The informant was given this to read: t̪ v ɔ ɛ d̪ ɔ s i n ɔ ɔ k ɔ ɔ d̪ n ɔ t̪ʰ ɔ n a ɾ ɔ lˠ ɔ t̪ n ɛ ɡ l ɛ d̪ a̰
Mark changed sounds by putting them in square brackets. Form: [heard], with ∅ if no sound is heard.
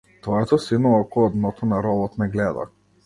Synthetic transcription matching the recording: t̪ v ɔ ɛ [t̪] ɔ s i n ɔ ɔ k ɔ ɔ d̪ n ɔ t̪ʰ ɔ n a ɾ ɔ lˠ ɔ t̪ n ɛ ɡ l ɛ d̪ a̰

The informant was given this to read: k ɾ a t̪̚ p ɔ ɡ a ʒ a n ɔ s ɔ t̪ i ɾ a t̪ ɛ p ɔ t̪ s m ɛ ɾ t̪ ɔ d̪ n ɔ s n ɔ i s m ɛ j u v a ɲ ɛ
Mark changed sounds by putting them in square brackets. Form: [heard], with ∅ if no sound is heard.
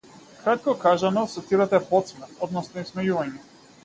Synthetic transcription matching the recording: k ɾ a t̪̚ [k] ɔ [k] a ʒ a n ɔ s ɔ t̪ i ɾ a t̪ ɛ p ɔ t̪ s m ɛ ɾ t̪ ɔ d̪ n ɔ s n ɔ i s m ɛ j u v a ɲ ɛ

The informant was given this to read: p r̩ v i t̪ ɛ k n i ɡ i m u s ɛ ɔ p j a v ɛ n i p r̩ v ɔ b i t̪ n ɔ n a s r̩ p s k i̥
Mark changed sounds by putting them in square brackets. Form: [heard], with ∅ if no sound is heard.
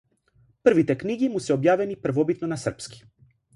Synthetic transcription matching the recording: p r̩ v i t̪ ɛ k n i ɡ i m u s ɛ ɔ [b] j a v ɛ n i p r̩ v ɔ b i t̪ n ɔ n a s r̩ p s k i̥

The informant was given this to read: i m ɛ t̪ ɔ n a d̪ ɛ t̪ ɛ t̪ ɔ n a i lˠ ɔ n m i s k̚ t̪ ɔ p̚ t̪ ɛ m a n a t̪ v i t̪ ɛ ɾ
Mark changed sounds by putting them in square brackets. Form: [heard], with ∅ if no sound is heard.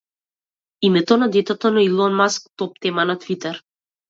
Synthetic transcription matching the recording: i m ɛ t̪ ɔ n a d̪ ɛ t̪ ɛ t̪ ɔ n a i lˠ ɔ n m [a] s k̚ t̪ ɔ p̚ t̪ ɛ m a n a t̪ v i t̪ ɛ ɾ

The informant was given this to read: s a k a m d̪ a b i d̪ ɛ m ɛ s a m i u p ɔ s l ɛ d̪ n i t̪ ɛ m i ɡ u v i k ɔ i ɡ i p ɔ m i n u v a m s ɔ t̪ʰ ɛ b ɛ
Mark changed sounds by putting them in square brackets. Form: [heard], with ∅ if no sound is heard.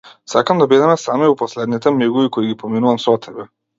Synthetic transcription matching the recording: s a k a m d̪ a b i d̪ ɛ m ɛ s a m i u p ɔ s l ɛ d̪ n i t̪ ɛ m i ɡ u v i k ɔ i ɡ i p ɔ m i n u v a m s ɔ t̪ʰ ɛ b ɛ

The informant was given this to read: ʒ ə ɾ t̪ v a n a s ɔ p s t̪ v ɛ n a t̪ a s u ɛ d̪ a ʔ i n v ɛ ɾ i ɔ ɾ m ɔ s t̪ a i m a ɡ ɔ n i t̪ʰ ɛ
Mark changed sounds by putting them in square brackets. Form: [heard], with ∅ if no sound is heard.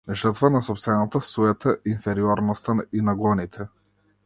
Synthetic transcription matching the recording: ʒ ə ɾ t̪ v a n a s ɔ p s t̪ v ɛ n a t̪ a s u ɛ [t̪] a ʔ i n [f] ɛ ɾ i ɔ ɾ [n] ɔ s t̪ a i [n] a ɡ ɔ n i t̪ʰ ɛ

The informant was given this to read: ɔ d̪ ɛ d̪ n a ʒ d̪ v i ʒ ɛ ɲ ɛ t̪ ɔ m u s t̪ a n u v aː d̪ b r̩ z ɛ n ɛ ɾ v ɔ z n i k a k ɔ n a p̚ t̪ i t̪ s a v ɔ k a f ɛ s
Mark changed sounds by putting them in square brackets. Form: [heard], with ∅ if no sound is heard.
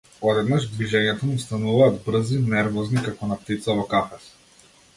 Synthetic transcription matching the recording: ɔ d̪ ɛ d̪ n a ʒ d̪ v i ʒ ɛ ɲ ɛ t̪ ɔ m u s t̪ a n u v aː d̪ b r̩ z [i] n ɛ ɾ v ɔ z n i k a k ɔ n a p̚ t̪ i t̪ s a v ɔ k a f ɛ s

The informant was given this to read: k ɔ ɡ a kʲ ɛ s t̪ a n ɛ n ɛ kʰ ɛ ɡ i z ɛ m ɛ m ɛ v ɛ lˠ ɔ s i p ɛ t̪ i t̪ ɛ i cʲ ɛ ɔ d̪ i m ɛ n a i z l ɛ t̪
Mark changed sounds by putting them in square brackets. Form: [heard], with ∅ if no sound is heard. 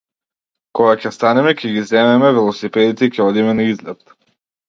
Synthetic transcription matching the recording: k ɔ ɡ a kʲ ɛ s t̪ a n ɛ [m] ɛ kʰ ɛ ɡ i z ɛ m ɛ m ɛ v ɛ lˠ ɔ s i p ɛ [d̪] i t̪ ɛ i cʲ ɛ ɔ d̪ i m ɛ n a i z l ɛ t̪

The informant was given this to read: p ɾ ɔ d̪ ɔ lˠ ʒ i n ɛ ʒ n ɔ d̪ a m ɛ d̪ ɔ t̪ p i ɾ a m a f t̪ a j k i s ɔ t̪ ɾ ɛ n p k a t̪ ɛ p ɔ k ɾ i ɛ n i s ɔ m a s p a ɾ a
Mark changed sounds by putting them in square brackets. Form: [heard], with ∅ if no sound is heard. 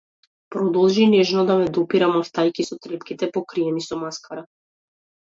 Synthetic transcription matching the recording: p ɾ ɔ d̪ ɔ lˠ ʒ i n ɛ ʒ n ɔ d̪ a m ɛ d̪ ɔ [∅] p i ɾ a m a f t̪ a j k i s ɔ t̪ ɾ ɛ [∅] p k [i] t̪ ɛ p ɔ k ɾ i ɛ n i s ɔ m a s [k] a ɾ a

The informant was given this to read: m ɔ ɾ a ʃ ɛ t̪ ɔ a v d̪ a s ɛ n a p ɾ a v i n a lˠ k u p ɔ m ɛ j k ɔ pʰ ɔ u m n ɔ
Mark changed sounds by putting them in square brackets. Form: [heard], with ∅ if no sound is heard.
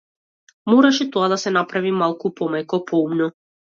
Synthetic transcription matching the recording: m ɔ ɾ a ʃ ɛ t̪ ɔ a [∅] d̪ a s ɛ n a p ɾ a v i [m] a lˠ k u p ɔ m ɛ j k ɔ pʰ ɔ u m n ɔ

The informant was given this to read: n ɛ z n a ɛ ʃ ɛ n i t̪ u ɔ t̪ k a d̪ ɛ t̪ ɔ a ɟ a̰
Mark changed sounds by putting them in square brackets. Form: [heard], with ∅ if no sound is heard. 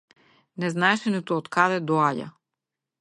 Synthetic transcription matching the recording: n ɛ z n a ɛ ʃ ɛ n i t̪ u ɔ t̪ k a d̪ ɛ [d̪] ɔ a ɟ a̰

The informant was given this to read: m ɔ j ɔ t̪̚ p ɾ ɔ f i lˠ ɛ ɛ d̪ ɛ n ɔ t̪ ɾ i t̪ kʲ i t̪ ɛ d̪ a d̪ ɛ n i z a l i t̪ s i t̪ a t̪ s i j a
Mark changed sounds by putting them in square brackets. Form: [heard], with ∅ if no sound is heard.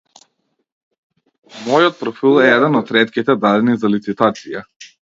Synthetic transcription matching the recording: m ɔ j ɔ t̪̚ p ɾ ɔ f i lˠ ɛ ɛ d̪ ɛ n ɔ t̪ ɾ [ɛ] t̪ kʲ i t̪ ɛ d̪ a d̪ ɛ n i z a l i t̪ s i t̪ a t̪ s i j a

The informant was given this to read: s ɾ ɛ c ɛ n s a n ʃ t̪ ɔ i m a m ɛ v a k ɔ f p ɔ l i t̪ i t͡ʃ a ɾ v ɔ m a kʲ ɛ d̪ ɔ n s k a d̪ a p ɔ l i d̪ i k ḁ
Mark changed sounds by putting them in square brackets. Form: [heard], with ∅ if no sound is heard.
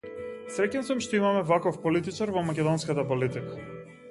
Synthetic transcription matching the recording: s ɾ ɛ c ɛ n s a [m] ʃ t̪ ɔ i m a m ɛ v a k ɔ f p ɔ l i t̪ i t͡ʃ a ɾ v ɔ m a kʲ ɛ d̪ ɔ n s k a [t̪] a p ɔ l i [t̪] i k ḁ

